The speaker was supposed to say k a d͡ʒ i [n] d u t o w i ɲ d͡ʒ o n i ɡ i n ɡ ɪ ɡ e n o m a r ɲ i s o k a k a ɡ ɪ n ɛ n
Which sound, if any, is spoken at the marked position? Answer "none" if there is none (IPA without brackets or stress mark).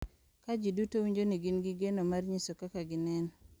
none